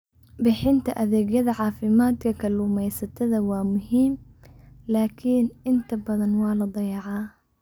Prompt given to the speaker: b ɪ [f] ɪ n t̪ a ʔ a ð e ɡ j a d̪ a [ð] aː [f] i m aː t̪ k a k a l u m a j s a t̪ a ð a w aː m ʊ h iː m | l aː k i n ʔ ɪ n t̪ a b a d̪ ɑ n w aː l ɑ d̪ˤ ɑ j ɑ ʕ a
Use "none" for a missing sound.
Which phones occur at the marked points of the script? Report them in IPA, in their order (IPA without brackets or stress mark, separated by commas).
ħ, ʕ, f